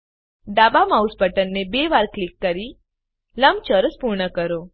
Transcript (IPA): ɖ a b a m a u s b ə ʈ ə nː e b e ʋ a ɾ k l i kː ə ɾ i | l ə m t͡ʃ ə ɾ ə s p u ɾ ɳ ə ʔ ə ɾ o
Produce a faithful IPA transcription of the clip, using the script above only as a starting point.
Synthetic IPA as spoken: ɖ a b a m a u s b ə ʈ ə nː e b e ʋ a ɾ k l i kː ə ɾ i | l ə m t͡ʃ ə ɾ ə s p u ɾ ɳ ə k ə ɾ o